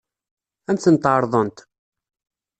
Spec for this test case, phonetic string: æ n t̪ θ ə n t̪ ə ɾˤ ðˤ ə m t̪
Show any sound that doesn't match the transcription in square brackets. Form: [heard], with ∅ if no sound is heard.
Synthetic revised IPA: æ n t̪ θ ə n t̪ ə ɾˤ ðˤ ə [n] t̪